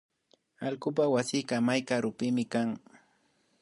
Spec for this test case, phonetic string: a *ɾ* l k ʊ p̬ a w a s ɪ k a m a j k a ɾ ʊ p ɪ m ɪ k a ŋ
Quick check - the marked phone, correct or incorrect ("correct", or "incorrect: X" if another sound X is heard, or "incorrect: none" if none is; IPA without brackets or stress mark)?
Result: incorrect: none